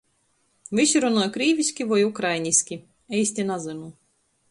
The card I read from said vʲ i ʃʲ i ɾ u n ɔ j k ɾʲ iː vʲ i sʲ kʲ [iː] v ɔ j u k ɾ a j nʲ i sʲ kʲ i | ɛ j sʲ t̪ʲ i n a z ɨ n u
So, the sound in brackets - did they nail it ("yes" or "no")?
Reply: no